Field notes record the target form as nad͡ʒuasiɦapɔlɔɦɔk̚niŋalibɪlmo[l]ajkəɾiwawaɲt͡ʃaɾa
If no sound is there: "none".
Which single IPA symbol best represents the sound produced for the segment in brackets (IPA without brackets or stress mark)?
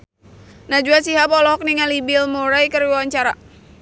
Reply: ɾ